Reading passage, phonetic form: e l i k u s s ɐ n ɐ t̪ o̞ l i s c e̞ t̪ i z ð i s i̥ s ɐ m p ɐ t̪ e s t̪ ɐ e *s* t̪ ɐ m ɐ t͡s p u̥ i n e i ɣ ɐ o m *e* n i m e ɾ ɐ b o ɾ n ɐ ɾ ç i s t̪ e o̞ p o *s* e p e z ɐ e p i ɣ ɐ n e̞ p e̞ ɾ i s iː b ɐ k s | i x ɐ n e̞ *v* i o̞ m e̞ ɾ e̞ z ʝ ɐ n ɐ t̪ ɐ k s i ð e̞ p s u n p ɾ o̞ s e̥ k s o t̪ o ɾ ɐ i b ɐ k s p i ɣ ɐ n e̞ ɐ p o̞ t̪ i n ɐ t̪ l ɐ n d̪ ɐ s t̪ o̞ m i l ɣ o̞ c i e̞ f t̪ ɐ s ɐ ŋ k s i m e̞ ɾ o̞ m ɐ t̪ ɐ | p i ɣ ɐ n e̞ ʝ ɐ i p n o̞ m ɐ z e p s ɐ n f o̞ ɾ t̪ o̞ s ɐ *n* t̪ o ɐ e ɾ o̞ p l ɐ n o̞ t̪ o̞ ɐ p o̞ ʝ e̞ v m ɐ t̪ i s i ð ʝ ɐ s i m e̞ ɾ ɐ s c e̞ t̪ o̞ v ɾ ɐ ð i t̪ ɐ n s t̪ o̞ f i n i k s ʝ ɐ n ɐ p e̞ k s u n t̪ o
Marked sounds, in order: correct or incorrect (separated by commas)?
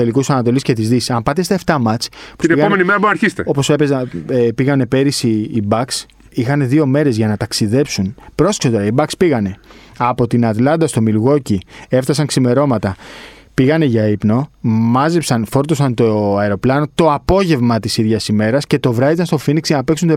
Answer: incorrect, correct, correct, incorrect, correct